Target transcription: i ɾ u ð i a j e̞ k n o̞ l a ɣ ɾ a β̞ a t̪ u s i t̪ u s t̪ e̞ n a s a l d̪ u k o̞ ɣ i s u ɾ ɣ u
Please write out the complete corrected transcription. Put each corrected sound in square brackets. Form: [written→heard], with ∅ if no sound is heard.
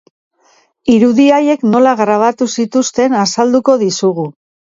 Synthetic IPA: i ɾ u ð i a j e̞ k n o̞ l a ɣ ɾ a β̞ a t̪ u s i t̪ u s t̪ e̞ n a s a l d̪ u k o̞ [ɣ→ð] i s u [ɾ→∅] ɣ u